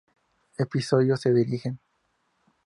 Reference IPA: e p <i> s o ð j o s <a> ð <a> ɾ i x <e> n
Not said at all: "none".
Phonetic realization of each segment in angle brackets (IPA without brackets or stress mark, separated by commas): i, e, i, e